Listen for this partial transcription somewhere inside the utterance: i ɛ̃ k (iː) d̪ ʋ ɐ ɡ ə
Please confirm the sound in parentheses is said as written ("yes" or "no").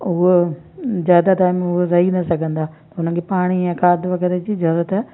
no